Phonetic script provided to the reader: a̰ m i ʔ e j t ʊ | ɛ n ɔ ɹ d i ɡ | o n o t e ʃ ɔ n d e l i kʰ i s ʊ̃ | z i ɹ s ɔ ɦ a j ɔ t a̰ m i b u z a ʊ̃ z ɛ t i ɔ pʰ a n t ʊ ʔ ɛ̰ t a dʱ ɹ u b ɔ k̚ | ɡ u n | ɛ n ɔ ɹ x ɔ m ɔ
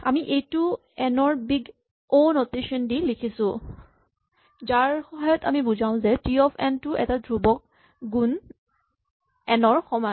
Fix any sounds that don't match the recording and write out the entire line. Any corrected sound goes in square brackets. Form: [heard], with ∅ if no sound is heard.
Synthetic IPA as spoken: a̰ m i ʔ e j t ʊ | ɛ n ɔ ɹ [b] i ɡ | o n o t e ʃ ɔ n d [i] l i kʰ i s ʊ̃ | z [a] ɹ [x] ɔ ɦ a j ɔ t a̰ m i b u z a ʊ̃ z ɛ t i ɔ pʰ [ɛ] n t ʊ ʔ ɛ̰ t a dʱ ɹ u b ɔ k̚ | ɡ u n | ɛ n ɔ ɹ x ɔ m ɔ